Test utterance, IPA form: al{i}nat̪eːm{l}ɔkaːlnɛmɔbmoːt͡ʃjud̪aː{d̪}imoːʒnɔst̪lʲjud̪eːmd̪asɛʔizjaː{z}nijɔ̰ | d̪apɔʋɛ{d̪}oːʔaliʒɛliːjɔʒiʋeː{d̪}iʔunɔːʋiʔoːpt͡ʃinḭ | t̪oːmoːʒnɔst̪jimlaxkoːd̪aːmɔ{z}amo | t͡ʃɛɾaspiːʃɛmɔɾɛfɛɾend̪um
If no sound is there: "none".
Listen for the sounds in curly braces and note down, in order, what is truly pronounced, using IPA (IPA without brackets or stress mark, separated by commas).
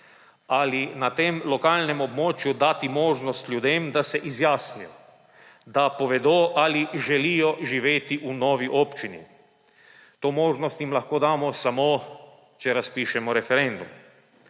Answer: i, l, t̪, s, d̪, t̪, s